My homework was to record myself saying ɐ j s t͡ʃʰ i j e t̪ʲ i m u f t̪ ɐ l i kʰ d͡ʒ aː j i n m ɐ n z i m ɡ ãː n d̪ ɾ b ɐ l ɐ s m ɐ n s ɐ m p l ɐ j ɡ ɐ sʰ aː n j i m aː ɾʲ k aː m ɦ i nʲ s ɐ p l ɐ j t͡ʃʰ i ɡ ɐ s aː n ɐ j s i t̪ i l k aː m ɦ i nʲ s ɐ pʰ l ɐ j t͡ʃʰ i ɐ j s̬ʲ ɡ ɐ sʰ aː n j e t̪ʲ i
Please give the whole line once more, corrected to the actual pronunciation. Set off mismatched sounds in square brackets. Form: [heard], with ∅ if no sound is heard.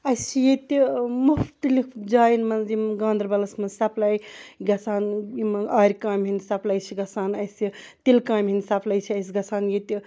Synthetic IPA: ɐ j s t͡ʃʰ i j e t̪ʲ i m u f t̪ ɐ l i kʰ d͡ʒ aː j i n m ɐ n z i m ɡ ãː n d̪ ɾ b ɐ l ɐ s m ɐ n s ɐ [∅] p l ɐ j ɡ ɐ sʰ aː n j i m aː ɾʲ k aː m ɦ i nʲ s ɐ p l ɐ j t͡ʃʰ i ɡ ɐ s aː n ɐ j s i t̪ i l k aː m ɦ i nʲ s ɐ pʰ l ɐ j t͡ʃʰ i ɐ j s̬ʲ ɡ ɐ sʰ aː n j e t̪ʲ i